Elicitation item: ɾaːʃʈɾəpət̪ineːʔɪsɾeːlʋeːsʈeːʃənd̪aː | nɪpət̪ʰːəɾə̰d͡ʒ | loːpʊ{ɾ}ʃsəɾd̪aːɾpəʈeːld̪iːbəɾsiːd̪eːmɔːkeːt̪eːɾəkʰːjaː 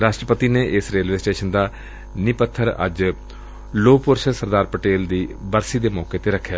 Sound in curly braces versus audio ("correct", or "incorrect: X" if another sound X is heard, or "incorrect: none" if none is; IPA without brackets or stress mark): correct